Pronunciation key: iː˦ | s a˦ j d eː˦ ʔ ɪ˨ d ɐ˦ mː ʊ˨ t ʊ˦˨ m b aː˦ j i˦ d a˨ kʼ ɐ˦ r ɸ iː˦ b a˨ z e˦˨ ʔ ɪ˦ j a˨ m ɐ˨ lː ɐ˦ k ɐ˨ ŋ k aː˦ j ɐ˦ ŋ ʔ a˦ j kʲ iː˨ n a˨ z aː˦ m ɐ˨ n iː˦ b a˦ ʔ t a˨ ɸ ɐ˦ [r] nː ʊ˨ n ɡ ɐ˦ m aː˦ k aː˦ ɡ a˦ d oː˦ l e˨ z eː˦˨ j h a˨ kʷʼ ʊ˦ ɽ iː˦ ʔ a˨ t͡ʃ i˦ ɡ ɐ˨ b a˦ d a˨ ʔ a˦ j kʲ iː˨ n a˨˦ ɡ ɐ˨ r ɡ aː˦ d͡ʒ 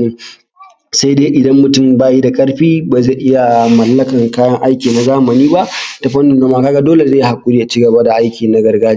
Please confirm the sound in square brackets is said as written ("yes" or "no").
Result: no